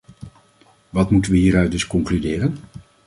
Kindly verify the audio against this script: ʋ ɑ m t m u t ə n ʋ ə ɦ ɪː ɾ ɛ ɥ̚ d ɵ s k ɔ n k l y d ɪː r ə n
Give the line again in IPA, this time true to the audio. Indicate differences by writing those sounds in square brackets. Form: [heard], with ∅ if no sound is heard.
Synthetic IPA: ʋ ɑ [∅] t m u t ə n ʋ ə ɦ [iː] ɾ [œ] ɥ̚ d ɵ s k ɔ [ŋ] k l y d ɪː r ə n